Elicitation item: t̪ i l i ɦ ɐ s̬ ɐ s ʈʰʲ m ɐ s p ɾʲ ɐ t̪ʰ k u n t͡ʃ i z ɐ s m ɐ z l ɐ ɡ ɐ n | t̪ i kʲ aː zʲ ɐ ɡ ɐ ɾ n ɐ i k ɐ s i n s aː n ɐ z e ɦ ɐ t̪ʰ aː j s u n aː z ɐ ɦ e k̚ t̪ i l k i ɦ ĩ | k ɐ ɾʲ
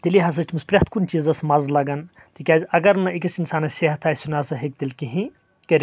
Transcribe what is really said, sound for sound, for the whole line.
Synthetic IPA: t̪ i l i ɦ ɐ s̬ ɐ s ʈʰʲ m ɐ s p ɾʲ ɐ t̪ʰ k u n t͡ʃ i z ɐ s m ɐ z l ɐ ɡ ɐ n | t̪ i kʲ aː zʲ ɐ ɡ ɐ ɾ n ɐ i k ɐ s i n s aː n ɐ s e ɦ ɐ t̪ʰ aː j s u n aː s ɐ ɦ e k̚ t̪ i l k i ɦ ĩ | k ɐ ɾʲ